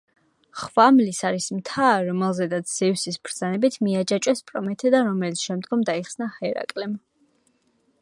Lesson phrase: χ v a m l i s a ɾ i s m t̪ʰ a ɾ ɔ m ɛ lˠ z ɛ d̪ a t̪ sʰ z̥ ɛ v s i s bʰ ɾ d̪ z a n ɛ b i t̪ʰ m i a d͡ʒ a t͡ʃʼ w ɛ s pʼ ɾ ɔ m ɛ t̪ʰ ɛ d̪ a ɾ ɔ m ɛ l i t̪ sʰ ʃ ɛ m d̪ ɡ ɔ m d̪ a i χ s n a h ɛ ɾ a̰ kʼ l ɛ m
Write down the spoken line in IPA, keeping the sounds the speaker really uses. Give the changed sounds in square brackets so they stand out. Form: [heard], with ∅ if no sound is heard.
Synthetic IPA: χ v a m l i s a ɾ i s m t̪ʰ a ɾ ɔ m ɛ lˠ z ɛ d̪ a t̪ sʰ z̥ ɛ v s i s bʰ ɾ d̪ z a n ɛ b i t̪ʰ m i a d͡ʒ a t͡ʃʼ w ɛ s pʼ ɾ ɔ m ɛ t̪ʰ ɛ d̪ a ɾ ɔ m ɛ l i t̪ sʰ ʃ ɛ m d̪ ɡ ɔ m d̪ a i χ s n a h ɛ ɾ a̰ kʼ l ɛ m